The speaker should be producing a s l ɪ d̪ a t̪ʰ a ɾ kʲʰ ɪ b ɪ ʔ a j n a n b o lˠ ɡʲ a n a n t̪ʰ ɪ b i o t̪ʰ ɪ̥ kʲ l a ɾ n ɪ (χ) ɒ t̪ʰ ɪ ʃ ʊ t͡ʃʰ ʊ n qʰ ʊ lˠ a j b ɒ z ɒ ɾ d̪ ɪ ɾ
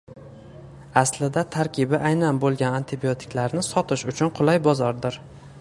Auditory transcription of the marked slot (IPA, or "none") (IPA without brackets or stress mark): s